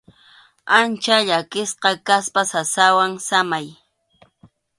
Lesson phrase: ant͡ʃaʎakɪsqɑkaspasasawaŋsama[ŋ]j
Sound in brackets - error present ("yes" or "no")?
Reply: yes